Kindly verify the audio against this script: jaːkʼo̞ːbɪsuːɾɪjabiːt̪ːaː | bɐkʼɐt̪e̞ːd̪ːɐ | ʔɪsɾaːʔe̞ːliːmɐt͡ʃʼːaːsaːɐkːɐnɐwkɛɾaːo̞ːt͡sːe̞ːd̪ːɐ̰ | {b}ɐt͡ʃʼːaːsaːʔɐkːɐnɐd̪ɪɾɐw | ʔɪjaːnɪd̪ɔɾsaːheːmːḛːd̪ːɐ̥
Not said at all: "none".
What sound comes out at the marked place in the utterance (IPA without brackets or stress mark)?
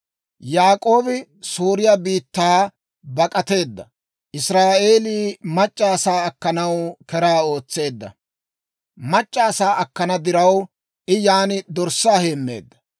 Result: m